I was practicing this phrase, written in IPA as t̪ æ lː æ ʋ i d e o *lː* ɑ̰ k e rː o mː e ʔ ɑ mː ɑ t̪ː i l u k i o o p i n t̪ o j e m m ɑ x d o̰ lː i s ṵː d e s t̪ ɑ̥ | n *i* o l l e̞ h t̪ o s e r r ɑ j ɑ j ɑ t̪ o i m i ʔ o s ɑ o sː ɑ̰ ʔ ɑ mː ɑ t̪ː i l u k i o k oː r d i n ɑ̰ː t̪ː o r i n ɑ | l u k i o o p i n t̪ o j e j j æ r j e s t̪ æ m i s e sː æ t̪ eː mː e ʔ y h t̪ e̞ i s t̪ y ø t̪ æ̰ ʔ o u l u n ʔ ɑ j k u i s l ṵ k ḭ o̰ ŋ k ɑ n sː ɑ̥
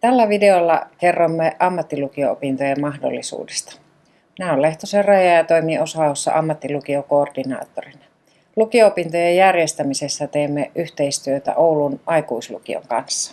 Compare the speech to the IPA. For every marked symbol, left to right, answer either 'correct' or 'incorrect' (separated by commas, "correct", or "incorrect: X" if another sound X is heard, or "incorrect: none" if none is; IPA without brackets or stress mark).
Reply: correct, incorrect: æ